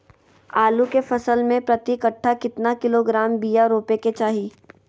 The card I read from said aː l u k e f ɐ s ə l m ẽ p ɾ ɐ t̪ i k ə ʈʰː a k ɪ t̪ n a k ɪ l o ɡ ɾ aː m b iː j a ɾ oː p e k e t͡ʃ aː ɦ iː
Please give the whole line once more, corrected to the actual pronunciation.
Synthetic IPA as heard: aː l u k e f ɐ s ə l m ẽ p ɾ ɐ t̪ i k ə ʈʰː a k ɪ t̪ n a k ɪ l o ɡ ɾ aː m b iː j a ɾ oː p e k e t͡ʃ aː ɦ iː